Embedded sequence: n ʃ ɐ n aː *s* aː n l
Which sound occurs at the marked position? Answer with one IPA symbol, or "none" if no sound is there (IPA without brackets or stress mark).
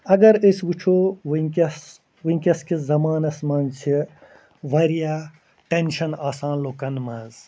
s